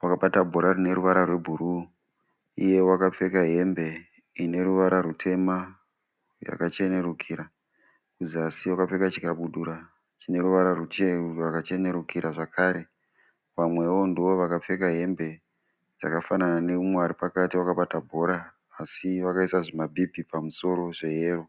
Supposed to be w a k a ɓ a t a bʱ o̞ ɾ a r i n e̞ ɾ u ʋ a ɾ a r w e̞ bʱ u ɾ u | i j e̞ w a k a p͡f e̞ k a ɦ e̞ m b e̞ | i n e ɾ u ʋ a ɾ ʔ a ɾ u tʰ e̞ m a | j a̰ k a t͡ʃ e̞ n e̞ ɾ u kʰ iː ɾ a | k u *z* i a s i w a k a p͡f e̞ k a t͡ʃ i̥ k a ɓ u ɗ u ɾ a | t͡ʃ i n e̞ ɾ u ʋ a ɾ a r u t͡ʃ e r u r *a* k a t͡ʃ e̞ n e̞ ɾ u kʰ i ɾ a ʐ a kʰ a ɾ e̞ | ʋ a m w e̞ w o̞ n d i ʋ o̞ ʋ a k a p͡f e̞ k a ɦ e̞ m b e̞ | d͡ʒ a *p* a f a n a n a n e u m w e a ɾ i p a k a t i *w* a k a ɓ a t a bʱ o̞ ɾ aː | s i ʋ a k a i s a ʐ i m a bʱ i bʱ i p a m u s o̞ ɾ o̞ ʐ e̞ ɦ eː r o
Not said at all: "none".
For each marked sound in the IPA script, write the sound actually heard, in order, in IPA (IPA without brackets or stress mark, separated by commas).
z, a, k, w